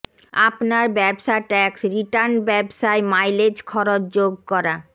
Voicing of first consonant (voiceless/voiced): voiceless